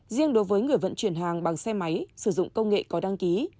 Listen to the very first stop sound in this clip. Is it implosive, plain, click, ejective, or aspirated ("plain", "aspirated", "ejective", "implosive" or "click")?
implosive